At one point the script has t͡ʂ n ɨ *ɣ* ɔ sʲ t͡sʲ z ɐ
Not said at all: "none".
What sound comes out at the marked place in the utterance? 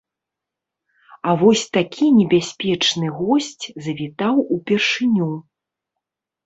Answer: ɣ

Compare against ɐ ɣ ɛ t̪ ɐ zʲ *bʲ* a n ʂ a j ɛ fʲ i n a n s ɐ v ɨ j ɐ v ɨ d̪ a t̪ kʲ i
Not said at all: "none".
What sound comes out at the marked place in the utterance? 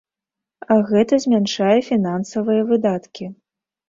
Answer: mʲ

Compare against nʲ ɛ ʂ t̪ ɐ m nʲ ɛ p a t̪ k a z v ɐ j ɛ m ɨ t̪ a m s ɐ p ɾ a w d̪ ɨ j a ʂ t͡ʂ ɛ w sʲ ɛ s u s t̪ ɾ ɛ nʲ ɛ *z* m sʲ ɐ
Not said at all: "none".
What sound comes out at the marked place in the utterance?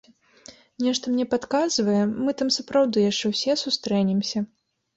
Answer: none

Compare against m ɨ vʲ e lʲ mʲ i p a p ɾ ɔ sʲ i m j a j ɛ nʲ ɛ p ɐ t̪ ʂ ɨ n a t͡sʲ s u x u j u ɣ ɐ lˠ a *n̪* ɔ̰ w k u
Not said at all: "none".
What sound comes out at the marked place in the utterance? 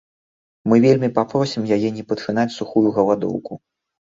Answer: d̪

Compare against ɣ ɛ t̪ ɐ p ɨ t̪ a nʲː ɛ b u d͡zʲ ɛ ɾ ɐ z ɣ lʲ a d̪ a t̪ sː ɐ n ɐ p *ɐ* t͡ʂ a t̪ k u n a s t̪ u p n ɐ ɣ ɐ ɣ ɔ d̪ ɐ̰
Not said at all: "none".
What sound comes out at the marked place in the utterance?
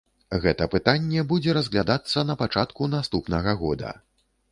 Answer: a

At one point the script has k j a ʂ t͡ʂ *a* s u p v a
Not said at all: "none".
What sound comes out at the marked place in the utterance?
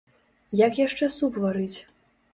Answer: ɛ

